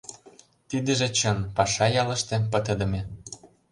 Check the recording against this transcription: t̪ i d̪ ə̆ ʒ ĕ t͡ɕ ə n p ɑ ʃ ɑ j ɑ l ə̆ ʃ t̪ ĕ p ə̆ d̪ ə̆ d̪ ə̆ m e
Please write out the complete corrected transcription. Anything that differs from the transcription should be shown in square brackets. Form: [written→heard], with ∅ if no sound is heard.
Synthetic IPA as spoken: t̪ i d̪ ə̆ ʒ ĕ t͡ɕ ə n p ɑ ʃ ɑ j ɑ l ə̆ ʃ t̪ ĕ p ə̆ [d̪→t̪] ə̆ d̪ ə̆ m e